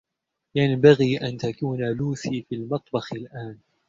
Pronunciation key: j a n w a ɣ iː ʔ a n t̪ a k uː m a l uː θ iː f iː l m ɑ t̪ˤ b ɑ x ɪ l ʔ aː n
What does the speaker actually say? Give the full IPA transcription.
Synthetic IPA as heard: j a n b a ɣ iː ʔ a n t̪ a k uː n a l uː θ iː f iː l m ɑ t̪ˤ b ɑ x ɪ l ʔ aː n